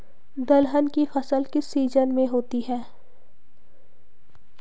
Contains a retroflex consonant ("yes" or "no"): no